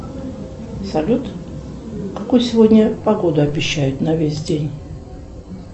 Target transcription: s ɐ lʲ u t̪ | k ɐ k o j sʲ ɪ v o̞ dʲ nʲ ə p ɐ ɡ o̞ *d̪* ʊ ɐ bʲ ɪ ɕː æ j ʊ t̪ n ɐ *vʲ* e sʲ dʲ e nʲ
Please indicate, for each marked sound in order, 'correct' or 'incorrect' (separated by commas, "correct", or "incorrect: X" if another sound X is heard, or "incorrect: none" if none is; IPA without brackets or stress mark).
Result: correct, correct